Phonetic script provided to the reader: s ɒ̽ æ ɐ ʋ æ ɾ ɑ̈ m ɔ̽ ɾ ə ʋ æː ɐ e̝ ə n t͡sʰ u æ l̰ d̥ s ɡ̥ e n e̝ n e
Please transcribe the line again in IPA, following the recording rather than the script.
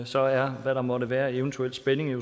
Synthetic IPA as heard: s ɒ̽ æ ɐ ʋ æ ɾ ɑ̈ m ɒ̽ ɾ ə ʋ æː ɐ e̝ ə n t͡sʰ u e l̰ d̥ s b̥ e n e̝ ŋ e